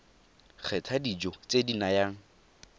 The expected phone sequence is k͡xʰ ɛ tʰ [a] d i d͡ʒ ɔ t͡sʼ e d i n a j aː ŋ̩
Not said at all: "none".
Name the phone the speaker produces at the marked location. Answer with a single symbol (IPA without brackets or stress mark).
a